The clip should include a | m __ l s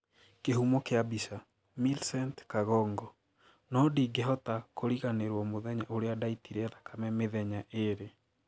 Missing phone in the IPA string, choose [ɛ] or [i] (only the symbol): i